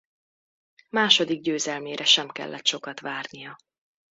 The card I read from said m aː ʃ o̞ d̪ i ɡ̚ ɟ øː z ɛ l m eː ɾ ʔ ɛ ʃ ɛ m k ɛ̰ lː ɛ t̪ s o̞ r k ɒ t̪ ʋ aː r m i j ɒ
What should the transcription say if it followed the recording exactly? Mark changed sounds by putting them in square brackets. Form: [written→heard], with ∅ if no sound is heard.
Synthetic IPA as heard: m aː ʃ o̞ d̪ i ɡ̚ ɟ øː z ɛ l m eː ɾ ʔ ɛ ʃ ɛ m k ɛ̰ lː ɛ t̪ [s→ʃ] o̞ [r→∅] k ɒ t̪ ʋ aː r [m→n] i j ɒ